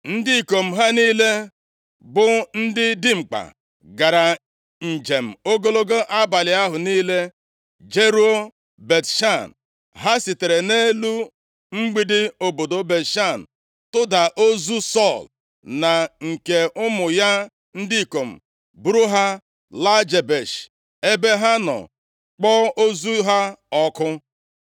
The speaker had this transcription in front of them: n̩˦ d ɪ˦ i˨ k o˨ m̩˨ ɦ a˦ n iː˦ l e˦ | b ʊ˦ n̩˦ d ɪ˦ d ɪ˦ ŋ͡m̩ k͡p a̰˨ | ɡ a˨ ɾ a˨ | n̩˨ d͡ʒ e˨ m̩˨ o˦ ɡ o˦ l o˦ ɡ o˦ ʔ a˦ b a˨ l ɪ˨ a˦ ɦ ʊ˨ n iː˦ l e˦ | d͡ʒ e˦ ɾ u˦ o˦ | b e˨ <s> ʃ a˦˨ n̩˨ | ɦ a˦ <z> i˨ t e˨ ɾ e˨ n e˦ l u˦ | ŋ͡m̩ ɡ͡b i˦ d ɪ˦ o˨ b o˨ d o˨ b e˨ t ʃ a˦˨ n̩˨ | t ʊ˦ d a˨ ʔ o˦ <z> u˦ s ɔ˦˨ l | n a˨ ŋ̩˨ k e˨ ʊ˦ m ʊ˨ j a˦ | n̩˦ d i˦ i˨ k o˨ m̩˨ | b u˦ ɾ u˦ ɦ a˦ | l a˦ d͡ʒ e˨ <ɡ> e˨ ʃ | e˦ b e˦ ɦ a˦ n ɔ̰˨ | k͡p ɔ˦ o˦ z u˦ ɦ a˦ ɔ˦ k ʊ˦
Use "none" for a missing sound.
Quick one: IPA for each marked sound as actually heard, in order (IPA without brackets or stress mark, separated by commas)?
t, s, z, b